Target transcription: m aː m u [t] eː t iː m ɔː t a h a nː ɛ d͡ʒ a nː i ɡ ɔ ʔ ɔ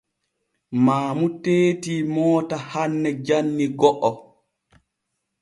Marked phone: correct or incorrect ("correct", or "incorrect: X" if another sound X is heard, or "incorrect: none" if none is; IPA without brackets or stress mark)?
correct